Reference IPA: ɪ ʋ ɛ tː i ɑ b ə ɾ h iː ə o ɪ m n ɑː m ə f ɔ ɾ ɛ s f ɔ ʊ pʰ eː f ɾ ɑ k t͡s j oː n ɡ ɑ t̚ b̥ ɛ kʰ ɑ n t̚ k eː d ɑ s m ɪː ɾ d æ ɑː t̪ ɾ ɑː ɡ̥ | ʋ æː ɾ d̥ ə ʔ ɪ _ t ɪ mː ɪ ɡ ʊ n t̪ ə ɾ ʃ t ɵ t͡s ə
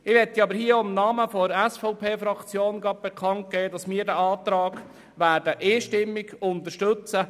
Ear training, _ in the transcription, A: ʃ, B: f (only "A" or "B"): A